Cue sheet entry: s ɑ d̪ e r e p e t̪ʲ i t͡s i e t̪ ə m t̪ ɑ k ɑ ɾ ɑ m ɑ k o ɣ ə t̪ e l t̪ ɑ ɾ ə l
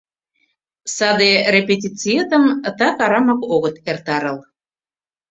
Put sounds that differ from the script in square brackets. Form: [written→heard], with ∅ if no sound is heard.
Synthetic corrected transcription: s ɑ d̪ e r e p e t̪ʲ i t͡s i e t̪ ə m t̪ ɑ k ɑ ɾ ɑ m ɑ k o ɣ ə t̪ e [l→r] t̪ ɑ ɾ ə l